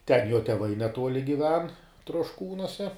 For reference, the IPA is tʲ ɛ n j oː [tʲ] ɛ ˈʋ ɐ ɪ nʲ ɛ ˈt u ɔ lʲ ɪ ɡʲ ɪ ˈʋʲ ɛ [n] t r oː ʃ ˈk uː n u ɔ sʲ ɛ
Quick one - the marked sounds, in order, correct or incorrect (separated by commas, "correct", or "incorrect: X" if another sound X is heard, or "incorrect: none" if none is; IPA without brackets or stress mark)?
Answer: correct, correct